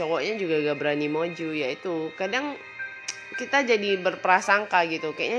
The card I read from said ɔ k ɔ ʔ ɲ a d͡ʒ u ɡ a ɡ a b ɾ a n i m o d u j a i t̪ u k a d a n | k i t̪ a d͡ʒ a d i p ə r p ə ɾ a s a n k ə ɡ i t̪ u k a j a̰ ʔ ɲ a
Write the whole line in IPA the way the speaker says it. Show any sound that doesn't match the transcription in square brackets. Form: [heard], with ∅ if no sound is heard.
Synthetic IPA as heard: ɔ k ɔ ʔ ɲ a d͡ʒ u ɡ a ɡ a b ɾ a n i m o [d͡ʒ] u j a i t̪ u k a d a [ŋ] | k i t̪ a d͡ʒ a d i [b] ə r p ə ɾ a s a [ŋ] k [a] ɡ i t̪ u k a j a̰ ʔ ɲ a